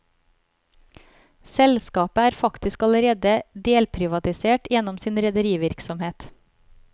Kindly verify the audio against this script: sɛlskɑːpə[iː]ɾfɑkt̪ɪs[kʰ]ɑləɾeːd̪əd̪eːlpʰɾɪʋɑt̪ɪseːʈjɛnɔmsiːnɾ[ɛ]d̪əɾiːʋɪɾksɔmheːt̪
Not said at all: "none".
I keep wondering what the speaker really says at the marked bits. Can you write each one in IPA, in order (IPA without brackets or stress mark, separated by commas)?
æː, k, ɛ